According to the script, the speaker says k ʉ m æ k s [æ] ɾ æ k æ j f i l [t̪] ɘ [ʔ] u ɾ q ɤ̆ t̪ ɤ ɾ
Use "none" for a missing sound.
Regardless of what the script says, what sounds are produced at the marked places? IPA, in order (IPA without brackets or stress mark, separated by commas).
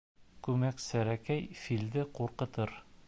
æ, d̪, q